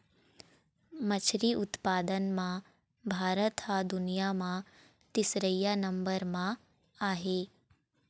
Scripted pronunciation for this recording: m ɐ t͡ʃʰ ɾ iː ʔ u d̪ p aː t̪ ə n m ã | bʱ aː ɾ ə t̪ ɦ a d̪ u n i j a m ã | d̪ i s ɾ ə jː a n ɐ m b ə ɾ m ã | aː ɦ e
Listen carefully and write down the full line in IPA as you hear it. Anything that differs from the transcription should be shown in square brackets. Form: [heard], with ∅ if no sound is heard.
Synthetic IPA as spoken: m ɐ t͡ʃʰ ɾ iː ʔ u [t̪] p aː [d̪] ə n m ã | bʱ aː ɾ ə t̪ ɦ a d̪ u n i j a m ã | [t̪] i s ɾ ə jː a n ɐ m b ə ɾ m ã | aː ɦ e